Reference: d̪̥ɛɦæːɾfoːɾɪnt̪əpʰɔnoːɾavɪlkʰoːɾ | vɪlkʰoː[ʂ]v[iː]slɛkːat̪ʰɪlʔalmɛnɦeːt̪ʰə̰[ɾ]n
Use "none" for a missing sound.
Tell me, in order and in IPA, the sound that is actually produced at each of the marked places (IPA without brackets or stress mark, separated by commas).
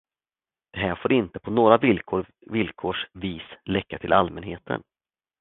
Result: ʂ, iː, none